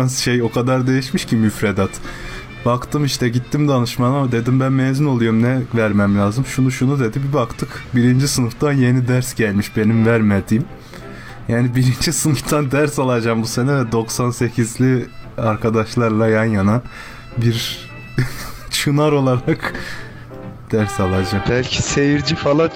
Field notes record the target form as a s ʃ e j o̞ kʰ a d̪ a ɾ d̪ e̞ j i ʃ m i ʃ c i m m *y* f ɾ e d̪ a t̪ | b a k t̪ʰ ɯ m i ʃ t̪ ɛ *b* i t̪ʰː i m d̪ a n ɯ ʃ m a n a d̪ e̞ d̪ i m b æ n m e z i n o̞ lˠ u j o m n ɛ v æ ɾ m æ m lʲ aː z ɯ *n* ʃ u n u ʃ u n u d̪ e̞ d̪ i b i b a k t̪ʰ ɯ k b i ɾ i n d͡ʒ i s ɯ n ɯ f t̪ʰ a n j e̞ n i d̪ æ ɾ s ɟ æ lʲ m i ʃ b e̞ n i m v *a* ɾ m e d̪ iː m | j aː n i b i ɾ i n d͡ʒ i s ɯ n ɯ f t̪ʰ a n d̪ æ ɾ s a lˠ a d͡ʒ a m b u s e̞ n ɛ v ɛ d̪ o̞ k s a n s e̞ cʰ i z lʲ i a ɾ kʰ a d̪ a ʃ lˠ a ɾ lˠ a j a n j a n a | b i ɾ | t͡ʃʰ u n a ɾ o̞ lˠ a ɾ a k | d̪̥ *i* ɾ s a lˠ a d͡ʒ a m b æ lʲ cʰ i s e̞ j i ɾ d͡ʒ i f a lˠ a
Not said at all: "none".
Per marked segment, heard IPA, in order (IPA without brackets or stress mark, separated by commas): y, ɟ, m, æ, æ